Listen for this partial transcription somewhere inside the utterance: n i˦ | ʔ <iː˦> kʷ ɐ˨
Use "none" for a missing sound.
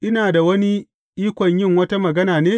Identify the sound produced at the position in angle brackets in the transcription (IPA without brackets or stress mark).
iː˦